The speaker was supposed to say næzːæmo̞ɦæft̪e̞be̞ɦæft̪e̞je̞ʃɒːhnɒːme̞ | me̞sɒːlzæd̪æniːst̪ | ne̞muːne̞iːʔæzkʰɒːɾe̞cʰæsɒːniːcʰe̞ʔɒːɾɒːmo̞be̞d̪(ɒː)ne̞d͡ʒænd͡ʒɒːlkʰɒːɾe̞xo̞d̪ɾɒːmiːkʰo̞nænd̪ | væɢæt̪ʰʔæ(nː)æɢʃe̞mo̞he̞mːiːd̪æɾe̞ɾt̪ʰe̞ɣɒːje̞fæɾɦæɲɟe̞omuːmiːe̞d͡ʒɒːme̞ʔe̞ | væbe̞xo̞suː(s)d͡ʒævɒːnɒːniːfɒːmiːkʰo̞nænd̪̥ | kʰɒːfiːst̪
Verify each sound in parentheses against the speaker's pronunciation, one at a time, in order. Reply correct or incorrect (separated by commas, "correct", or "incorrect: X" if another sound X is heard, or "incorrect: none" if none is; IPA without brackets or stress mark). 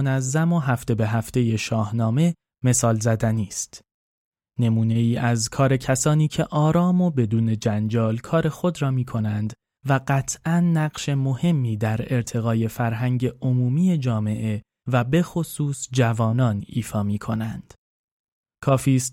incorrect: uː, correct, correct